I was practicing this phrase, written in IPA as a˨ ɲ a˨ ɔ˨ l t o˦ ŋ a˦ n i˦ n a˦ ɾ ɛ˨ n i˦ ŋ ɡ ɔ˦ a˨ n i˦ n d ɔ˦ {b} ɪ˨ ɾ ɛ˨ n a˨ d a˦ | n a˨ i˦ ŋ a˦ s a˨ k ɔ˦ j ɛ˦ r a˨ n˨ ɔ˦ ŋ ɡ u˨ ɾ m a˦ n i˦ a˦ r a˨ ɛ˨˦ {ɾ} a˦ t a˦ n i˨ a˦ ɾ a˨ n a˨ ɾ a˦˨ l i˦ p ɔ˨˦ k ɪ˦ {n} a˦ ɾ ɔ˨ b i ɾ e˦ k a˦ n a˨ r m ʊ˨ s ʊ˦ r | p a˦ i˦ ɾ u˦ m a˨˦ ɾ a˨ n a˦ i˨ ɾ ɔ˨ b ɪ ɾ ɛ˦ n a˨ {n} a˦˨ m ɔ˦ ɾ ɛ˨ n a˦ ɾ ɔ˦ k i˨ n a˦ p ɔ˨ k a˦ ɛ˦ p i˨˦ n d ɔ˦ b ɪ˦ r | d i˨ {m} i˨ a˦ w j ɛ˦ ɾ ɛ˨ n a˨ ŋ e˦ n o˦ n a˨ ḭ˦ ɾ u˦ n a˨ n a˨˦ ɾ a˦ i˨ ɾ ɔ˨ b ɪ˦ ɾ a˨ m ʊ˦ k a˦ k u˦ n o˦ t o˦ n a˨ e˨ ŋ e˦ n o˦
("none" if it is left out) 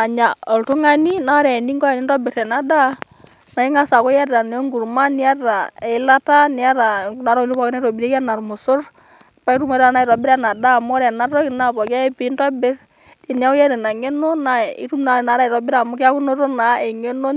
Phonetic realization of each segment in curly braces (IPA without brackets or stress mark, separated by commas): b, l, n, d, n